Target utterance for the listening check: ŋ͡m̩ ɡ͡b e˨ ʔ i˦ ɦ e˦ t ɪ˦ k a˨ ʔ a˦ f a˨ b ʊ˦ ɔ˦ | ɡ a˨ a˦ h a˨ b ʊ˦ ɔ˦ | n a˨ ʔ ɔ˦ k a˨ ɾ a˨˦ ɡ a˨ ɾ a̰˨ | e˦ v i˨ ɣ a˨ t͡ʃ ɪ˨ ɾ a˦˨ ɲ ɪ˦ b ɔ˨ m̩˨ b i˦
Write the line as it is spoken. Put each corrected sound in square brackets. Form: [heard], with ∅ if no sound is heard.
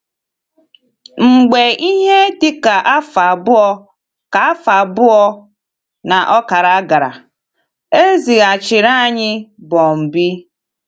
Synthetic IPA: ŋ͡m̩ ɡ͡b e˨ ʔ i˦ ɦ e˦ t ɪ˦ k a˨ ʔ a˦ f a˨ b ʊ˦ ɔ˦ | [k] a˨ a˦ [f] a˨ b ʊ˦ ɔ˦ | n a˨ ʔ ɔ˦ k a˨ ɾ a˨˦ ɡ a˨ ɾ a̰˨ | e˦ [z] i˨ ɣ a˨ t͡ʃ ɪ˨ ɾ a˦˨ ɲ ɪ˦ b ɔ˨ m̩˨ b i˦